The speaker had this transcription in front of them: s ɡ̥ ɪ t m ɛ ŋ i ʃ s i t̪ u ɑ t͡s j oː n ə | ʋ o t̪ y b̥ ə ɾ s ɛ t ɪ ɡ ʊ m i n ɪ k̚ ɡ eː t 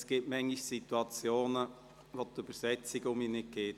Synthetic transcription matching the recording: s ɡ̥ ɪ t m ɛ ŋ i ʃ s i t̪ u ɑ t͡s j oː n ə | ʋ o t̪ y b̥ ə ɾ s ɛ t͡s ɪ ɡ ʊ m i n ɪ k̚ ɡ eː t